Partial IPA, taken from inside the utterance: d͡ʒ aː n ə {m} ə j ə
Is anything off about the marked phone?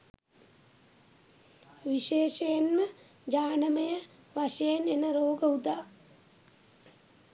no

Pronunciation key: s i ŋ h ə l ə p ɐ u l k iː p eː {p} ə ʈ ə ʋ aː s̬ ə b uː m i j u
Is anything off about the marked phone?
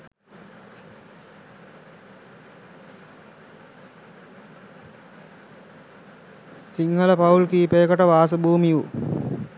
yes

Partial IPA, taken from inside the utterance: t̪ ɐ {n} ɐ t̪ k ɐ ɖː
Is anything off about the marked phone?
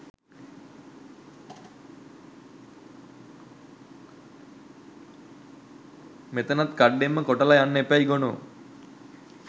no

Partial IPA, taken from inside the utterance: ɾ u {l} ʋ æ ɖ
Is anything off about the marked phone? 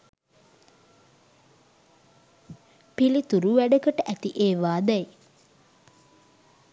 yes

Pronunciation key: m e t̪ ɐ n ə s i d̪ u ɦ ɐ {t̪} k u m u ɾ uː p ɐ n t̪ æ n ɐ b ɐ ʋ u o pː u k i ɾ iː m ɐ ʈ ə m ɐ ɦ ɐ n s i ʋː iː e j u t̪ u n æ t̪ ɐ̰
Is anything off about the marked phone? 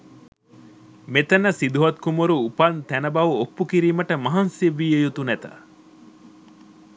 no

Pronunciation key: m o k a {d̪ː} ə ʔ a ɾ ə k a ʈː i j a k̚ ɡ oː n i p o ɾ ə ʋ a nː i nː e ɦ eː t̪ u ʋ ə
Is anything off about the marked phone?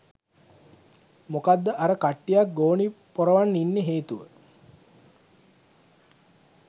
no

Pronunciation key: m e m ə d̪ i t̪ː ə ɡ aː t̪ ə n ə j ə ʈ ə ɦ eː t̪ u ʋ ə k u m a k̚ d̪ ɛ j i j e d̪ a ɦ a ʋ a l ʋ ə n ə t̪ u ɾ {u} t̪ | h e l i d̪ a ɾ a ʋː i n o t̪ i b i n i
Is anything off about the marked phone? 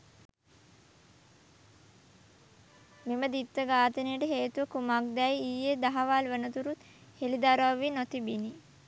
no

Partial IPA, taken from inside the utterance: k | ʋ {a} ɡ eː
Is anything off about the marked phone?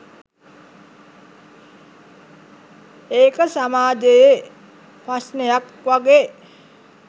no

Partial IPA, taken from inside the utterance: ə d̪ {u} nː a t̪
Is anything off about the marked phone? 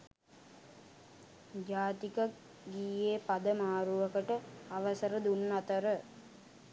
no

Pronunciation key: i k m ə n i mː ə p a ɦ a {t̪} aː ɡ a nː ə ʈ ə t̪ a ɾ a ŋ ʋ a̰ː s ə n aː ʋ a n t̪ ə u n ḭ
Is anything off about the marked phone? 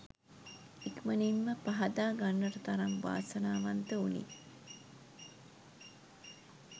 yes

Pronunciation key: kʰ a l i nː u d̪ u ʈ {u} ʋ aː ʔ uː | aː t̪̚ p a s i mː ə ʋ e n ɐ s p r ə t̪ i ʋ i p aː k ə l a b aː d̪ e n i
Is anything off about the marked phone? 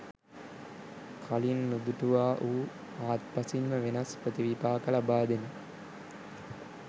no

